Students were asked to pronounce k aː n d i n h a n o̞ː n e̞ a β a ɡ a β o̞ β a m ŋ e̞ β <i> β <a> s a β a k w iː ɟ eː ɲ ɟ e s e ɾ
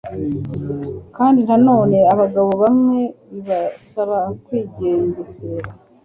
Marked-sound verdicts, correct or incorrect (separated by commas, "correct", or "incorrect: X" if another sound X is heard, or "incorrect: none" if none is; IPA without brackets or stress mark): correct, correct